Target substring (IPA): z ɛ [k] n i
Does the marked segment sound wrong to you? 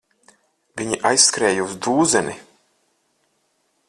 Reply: yes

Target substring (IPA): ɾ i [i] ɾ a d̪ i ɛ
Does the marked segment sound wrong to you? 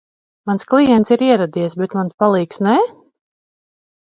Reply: yes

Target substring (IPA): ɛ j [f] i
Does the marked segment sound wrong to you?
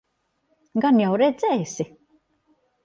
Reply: yes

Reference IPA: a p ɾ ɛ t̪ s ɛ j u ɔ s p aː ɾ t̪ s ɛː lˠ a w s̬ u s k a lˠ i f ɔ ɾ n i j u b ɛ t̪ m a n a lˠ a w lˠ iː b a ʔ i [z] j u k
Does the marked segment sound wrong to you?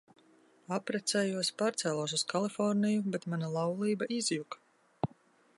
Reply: no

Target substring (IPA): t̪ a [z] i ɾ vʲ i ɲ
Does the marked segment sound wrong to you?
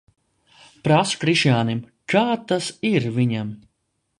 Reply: yes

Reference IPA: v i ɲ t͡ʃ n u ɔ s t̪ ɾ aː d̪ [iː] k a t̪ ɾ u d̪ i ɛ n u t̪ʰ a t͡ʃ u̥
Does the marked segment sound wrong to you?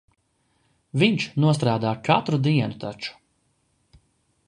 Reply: yes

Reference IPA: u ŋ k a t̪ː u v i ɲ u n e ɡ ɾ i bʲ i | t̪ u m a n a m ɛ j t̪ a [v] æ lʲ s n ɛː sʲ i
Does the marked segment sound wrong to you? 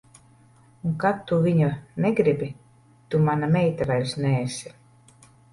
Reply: no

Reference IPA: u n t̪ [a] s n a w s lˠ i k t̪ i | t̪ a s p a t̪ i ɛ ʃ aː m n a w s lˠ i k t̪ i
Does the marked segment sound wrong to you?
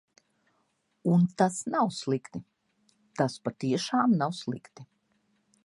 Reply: no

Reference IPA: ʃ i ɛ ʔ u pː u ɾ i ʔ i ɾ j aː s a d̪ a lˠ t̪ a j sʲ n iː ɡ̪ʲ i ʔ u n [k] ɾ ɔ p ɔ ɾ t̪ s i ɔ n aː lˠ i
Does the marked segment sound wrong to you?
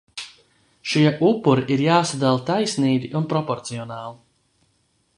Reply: yes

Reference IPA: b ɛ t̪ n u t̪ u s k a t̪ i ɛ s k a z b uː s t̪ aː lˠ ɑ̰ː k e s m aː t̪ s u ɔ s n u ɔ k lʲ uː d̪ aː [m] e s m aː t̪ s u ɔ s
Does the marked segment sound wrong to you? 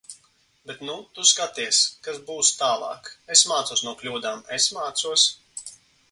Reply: no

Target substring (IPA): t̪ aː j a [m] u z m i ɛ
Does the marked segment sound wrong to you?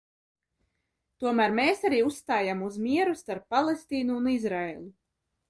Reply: no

